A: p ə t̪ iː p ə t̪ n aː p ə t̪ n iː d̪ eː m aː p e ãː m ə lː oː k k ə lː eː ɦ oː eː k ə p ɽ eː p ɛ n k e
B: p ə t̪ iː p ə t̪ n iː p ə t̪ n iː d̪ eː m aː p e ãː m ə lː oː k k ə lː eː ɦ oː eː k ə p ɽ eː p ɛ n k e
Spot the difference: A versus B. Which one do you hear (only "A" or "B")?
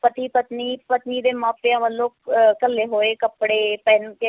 B